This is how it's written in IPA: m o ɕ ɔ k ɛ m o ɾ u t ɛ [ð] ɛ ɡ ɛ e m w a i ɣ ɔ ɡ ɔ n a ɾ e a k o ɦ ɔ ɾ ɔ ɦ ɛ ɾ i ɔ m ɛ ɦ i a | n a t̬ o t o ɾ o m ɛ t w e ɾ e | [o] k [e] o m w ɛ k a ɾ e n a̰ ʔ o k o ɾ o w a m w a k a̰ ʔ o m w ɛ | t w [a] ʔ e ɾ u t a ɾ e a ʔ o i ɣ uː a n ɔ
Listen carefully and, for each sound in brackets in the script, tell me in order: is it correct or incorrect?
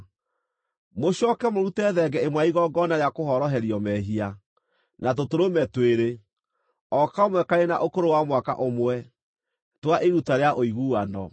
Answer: correct, incorrect, incorrect, correct

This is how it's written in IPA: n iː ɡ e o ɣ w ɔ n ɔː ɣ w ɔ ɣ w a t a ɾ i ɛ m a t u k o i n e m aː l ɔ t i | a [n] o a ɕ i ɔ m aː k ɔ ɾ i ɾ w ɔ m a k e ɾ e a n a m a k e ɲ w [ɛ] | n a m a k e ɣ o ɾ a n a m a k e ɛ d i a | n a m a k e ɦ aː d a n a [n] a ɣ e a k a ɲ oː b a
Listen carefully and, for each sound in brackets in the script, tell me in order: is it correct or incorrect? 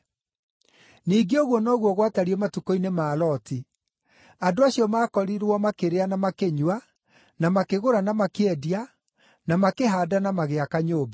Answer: incorrect, incorrect, incorrect

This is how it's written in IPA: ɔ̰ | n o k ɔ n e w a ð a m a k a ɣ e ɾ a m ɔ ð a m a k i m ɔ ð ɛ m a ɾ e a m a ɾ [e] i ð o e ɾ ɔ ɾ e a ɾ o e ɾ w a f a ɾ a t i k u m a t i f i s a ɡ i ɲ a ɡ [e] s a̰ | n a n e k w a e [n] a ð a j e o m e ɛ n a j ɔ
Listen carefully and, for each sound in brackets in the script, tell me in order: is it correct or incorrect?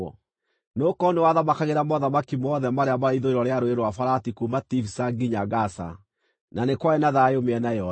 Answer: incorrect, incorrect, correct

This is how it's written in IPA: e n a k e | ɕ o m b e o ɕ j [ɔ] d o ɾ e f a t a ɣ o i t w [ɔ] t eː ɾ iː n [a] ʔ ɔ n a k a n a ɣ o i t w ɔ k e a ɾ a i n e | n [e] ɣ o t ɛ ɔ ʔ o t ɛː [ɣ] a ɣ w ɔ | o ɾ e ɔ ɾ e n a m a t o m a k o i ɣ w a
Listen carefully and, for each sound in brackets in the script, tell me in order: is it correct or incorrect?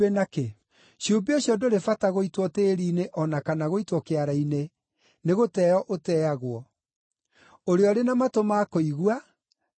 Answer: correct, correct, incorrect, correct, incorrect

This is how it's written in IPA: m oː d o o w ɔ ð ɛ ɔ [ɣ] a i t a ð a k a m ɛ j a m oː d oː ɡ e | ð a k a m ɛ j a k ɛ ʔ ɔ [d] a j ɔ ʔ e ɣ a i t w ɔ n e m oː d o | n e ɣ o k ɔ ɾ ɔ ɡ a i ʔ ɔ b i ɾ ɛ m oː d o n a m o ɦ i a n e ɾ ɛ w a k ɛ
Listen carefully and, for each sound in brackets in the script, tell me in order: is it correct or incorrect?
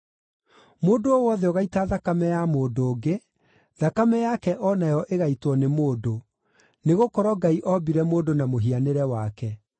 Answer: correct, incorrect

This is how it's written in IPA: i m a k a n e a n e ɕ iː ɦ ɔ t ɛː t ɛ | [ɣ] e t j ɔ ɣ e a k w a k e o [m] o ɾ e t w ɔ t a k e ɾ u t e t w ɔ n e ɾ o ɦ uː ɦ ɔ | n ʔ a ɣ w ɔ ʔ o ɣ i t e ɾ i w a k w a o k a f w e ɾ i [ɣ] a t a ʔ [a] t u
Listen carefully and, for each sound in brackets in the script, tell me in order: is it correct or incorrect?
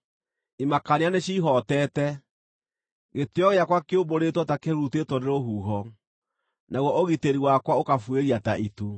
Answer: correct, incorrect, incorrect, incorrect

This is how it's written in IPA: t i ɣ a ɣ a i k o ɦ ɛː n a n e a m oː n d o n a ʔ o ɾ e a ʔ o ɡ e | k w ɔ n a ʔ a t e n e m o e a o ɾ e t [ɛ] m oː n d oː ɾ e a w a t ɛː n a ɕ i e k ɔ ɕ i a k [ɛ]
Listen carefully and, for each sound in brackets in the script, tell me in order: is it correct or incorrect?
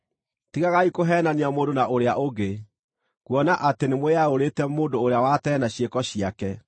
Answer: correct, correct

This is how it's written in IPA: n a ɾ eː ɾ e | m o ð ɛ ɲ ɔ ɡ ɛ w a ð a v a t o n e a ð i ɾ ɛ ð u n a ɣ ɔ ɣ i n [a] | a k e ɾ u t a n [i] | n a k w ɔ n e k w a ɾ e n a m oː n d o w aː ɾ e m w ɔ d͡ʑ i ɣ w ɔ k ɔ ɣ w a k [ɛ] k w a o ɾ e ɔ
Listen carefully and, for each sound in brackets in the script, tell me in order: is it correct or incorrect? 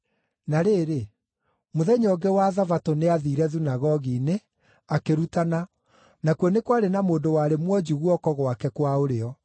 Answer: incorrect, incorrect, correct

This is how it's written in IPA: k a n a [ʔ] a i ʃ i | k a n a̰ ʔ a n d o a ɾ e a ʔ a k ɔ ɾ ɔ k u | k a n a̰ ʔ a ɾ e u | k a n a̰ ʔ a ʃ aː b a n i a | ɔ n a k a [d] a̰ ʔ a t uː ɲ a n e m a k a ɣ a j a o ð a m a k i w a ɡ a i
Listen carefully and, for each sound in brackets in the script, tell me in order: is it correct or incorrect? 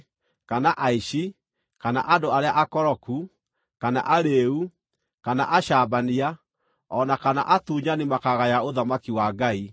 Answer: correct, incorrect

